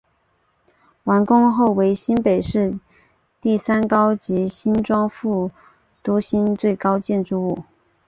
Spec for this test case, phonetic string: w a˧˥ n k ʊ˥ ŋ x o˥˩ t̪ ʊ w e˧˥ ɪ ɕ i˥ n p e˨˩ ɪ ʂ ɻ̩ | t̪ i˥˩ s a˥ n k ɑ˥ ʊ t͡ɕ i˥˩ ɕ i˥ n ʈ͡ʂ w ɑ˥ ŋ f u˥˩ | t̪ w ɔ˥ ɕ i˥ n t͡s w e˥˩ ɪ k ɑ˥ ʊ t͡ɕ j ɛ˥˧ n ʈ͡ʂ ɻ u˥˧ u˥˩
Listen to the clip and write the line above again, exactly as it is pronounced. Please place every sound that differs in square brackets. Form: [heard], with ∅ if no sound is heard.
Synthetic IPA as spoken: w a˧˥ n k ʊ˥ ŋ x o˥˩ [∅] ʊ w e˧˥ ɪ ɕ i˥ n p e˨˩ ɪ ʂ ɻ̩ | t̪ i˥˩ s a˥ n k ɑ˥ ʊ t͡ɕ [i˧˥] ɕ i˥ n ʈ͡ʂ w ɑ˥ ŋ f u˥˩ | t̪ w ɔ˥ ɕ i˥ n t͡s w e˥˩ ɪ k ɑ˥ ʊ t͡ɕ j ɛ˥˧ n ʈ͡ʂ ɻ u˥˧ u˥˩